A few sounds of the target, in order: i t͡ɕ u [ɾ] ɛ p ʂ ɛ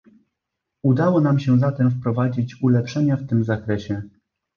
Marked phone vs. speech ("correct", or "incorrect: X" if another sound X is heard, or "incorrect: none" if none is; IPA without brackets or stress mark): incorrect: l